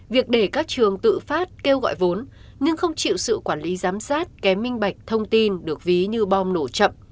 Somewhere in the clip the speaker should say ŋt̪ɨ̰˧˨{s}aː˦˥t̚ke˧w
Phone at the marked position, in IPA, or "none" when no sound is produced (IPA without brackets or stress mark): f